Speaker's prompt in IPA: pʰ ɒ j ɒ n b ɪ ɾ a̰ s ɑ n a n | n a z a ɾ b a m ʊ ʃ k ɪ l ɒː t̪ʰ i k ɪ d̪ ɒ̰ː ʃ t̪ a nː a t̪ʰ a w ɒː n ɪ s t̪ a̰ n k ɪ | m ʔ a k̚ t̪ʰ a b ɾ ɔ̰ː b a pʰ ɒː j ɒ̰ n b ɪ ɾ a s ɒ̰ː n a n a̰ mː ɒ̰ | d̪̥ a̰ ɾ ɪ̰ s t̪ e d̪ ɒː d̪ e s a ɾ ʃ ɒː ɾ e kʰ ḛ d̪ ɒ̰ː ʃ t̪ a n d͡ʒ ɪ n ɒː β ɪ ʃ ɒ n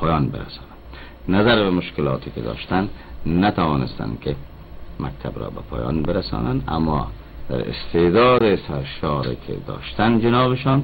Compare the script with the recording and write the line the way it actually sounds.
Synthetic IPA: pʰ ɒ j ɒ n b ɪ ɾ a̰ s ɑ n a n | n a z a ɾ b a m ʊ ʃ k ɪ l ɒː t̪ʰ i k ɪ d̪ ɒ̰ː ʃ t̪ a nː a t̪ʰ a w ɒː n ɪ s t̪ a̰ n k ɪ | m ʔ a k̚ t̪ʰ a b ɾ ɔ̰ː b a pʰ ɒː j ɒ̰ n b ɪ ɾ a s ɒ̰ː n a n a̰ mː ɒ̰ | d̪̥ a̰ ɾ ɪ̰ s t̪ e d̪ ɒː d̪ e s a ɾ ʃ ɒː ɾ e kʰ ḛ d̪ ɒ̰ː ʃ t̪ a n d͡ʒ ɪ n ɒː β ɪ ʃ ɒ n

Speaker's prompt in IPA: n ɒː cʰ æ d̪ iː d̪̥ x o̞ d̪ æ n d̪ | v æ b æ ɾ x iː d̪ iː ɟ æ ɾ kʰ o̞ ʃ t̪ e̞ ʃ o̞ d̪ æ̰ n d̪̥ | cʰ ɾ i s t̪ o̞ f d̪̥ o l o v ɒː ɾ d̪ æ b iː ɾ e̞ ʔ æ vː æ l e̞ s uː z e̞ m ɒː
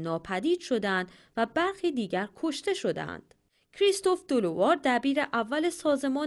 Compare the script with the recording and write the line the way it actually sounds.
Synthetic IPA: n ɒː pʰ æ d̪ iː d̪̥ ʃ o̞ d̪ æ n d̪ | v æ b æ ɾ x iː d̪ iː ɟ æ ɾ kʰ o̞ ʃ t̪ e̞ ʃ o̞ d̪ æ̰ n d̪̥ | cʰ ɾ i s t̪ o̞ f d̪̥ o l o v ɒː ɾ d̪ æ b iː ɾ e̞ ʔ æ vː æ l e̞ s ɒː z e̞ m ɒː

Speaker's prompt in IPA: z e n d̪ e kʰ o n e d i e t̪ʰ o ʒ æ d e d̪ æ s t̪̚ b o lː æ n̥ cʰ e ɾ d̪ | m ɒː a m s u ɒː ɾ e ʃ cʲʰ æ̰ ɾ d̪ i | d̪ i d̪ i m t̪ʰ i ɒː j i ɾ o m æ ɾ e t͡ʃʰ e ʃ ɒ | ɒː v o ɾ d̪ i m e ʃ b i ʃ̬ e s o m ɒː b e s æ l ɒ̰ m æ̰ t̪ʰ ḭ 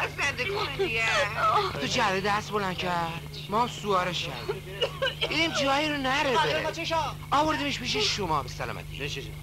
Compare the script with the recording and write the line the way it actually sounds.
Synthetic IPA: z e n d̪ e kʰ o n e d i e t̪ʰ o d͡ʒ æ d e d̪ æ s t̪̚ b o l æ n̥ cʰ æ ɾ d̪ | m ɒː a m s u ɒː ɾ e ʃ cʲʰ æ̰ ɾ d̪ i | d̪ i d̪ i m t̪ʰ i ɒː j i ɾ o n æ ɾ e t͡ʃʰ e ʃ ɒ | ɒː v o ɾ d̪ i m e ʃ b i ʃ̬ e ʃ o m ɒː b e s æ l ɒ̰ m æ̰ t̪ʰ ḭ

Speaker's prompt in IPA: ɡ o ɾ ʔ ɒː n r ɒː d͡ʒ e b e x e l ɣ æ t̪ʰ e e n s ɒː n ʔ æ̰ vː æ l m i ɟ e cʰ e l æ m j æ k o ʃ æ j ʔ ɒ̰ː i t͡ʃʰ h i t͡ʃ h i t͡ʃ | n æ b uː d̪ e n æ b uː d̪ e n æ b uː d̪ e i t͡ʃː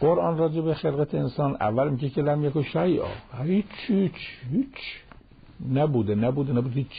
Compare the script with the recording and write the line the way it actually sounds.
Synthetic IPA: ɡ o ɾ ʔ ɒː n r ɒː d͡ʒ e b e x e l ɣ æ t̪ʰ e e n s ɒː n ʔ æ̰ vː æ l m i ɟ e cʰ e l æ m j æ k o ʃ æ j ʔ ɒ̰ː i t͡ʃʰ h i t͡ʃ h i t͡ʃ | n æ b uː d̪ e n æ b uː d̪ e n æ b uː d̪ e i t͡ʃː

